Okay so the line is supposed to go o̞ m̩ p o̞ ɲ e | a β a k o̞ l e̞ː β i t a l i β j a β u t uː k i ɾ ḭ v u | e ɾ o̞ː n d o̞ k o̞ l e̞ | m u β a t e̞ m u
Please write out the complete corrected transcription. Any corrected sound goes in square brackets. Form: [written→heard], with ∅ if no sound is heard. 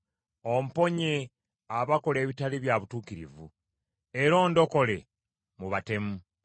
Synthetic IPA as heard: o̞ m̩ p o̞ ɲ e | a β a k o̞ l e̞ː β i t a l i β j a β u t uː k i ɾ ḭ v u | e ɾ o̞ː n d o̞ k o̞ l e̞ | m u β a t e̞ m u